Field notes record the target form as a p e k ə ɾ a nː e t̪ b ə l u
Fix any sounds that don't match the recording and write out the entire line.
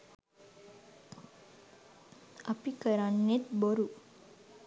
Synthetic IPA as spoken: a p i k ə ɾ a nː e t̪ b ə ɾ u